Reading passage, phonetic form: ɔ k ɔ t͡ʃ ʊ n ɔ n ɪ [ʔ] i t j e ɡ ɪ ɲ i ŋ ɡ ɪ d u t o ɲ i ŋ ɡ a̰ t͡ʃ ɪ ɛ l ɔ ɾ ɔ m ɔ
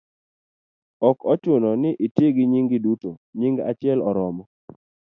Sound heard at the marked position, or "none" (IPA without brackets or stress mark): ʔ